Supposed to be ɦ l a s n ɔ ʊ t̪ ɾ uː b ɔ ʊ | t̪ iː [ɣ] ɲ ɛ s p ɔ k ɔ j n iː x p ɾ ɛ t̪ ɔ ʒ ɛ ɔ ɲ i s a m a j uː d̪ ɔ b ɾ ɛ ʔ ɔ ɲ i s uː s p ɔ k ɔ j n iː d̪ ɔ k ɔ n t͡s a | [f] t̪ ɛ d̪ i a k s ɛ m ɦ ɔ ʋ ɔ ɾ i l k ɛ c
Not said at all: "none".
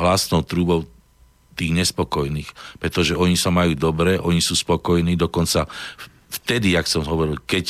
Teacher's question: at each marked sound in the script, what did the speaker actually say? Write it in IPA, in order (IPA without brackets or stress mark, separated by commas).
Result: ɣ, f